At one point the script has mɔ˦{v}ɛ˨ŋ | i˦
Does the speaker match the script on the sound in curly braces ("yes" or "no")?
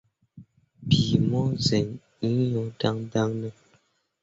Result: no